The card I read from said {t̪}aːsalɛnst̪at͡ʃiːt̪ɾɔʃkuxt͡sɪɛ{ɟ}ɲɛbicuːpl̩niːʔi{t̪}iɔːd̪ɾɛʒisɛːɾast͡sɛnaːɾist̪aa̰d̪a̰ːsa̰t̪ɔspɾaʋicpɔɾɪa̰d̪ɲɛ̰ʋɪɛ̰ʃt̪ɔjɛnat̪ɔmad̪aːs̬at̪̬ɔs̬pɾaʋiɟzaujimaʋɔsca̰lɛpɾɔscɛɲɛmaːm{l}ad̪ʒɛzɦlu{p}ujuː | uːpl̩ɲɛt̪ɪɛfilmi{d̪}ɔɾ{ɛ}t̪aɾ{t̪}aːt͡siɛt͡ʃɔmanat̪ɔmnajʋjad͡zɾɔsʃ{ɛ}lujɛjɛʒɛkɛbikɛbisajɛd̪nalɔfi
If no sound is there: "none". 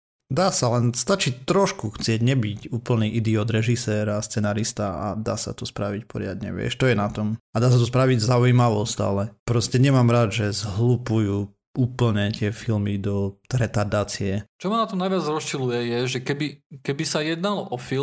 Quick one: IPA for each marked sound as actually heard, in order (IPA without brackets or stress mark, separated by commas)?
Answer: d̪, ɟ, d̪, ɾ, p, d̪, ɛ, d̪, i